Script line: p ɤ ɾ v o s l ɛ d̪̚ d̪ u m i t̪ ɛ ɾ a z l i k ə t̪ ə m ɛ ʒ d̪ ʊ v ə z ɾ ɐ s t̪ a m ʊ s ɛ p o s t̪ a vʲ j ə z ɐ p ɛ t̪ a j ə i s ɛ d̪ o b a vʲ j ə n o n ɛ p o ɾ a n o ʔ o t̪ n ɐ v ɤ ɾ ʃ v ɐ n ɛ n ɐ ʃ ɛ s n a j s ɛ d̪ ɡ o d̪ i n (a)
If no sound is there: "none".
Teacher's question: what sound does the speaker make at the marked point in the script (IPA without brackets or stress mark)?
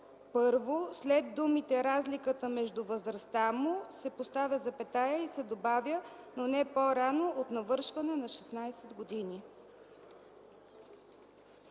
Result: i